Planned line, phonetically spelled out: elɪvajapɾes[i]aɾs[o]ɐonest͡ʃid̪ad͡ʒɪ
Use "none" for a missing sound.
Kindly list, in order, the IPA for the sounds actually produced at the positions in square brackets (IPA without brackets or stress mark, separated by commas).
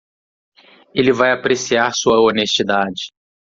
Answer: i, u